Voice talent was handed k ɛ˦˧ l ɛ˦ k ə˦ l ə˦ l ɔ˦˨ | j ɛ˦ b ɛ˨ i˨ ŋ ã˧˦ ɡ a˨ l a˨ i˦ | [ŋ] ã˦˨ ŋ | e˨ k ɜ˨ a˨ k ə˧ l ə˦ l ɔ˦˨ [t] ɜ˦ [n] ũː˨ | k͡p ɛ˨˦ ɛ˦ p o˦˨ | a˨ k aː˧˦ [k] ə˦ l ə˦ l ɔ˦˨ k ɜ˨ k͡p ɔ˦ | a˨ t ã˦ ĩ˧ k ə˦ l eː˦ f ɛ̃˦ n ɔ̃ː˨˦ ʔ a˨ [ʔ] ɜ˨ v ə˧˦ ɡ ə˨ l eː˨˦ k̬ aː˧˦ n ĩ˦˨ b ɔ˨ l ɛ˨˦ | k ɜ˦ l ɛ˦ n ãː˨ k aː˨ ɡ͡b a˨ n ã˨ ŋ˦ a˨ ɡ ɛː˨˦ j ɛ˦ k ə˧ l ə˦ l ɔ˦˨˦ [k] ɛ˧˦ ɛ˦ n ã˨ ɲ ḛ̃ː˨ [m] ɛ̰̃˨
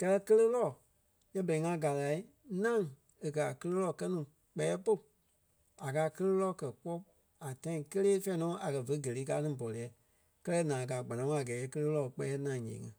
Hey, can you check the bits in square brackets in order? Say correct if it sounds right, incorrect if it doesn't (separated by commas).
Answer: incorrect, incorrect, correct, correct, incorrect, incorrect, incorrect